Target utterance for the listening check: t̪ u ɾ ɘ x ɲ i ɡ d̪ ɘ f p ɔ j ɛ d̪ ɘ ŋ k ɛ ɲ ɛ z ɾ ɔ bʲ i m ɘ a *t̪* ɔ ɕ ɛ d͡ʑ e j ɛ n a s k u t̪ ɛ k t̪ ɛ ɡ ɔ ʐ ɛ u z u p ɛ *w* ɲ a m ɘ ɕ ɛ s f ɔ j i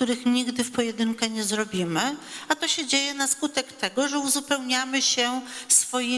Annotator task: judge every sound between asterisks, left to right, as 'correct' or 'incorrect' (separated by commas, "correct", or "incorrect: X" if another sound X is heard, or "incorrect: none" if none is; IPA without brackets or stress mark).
correct, correct